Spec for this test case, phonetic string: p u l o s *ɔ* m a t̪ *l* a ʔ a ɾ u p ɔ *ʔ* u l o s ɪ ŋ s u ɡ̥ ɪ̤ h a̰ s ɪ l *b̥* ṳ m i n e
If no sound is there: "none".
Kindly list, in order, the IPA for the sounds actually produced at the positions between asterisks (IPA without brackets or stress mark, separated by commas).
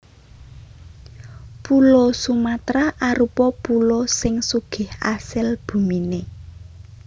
u, ɾ, p, b̥